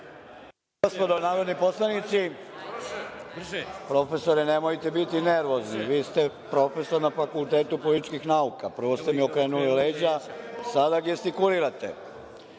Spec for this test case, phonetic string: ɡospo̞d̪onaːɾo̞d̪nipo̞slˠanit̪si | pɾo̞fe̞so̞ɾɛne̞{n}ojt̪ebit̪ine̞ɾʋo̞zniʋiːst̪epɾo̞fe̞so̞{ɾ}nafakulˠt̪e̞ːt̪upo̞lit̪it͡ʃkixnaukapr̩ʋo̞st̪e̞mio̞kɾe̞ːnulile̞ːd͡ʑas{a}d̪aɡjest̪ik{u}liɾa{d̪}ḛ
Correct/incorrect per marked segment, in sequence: incorrect: m, correct, correct, correct, incorrect: t̪

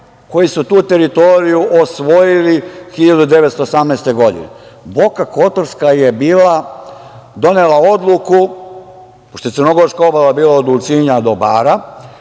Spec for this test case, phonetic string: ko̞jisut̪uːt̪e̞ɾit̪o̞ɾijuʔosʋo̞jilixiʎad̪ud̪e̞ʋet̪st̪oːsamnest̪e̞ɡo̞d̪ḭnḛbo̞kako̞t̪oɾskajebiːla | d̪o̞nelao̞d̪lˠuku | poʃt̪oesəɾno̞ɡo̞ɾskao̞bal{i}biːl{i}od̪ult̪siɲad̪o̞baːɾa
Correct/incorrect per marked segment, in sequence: incorrect: a, incorrect: a

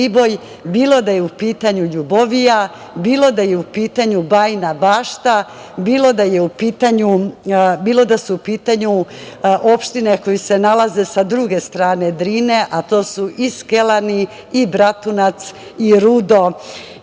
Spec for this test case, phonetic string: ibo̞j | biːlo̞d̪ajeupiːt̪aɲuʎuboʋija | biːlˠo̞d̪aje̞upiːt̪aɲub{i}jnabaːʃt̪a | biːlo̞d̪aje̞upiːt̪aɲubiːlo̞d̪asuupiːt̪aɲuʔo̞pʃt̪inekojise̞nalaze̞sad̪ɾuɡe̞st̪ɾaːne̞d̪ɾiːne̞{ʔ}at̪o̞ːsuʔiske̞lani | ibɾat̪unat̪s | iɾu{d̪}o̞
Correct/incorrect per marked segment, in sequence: incorrect: a, correct, correct

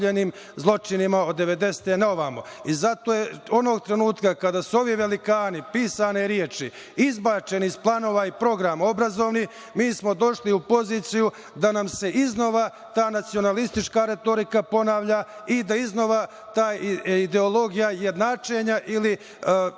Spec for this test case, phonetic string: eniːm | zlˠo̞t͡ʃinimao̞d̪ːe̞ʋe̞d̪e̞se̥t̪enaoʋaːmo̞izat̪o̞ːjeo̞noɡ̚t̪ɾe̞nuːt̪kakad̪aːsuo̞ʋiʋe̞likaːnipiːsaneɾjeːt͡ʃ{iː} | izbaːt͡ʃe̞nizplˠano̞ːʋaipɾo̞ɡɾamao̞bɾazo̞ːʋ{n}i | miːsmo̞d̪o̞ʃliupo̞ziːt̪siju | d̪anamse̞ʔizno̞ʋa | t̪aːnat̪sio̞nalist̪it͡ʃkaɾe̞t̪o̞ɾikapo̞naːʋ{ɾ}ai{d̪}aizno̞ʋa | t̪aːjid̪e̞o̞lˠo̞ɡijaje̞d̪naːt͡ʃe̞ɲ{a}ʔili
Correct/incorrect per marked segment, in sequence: incorrect: i, correct, incorrect: ʎ, correct, correct

